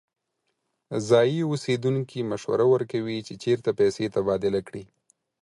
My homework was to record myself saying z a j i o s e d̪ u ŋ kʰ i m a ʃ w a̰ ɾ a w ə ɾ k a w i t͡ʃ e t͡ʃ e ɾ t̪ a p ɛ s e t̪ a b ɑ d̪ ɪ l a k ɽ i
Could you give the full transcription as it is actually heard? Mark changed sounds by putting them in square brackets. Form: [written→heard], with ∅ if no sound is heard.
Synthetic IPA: z [a→ɑ] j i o s e d̪ u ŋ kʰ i m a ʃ w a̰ ɾ a w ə ɾ k a w i t͡ʃ e t͡ʃ e ɾ t̪ a p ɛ s e t̪ a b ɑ d̪ ɪ l a k ɽ i